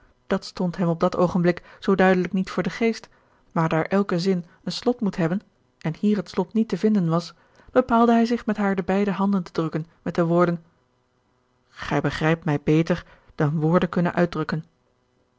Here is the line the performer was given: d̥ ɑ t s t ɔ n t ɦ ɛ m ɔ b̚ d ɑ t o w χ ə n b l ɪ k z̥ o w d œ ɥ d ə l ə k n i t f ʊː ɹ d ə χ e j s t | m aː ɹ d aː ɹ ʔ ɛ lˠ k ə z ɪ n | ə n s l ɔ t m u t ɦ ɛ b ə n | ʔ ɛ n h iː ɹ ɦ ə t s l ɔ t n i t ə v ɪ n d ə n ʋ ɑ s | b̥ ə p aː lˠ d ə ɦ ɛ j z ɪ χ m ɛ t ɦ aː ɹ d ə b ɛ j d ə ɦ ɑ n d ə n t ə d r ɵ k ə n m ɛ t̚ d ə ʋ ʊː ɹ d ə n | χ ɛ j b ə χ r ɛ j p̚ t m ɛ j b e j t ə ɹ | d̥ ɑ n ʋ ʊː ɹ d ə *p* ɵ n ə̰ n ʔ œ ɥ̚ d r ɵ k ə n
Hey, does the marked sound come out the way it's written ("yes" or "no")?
no